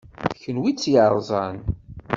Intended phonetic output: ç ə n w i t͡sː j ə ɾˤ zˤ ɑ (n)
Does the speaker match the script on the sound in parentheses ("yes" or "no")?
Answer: yes